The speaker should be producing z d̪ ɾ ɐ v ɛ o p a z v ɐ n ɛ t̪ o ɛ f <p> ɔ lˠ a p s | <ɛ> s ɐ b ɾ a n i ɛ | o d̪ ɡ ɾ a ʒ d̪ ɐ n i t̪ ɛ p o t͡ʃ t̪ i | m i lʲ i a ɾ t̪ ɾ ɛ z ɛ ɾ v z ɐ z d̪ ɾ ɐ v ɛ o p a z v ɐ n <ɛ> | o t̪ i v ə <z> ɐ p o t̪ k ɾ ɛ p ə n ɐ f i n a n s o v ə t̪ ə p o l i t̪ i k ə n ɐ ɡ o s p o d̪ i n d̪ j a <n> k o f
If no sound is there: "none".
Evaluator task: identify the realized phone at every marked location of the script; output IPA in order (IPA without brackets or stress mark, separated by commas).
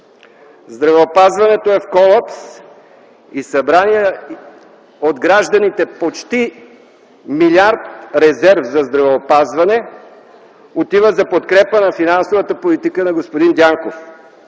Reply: k, i, ɛ, z, ŋ